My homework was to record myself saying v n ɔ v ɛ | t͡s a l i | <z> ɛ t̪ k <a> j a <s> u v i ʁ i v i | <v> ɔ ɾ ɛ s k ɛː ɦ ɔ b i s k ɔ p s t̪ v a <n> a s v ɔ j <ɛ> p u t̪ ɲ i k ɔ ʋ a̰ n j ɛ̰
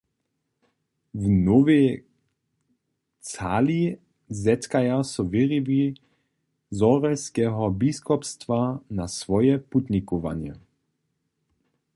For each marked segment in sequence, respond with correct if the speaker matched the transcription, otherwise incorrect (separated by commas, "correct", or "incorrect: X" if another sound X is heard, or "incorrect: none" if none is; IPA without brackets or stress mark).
correct, correct, correct, incorrect: z, correct, correct